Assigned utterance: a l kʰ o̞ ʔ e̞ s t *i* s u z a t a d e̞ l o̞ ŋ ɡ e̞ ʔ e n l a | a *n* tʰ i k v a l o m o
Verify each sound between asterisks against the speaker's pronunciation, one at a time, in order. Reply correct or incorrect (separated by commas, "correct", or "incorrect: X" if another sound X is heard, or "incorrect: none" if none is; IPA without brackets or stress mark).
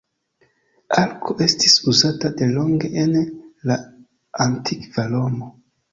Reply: correct, correct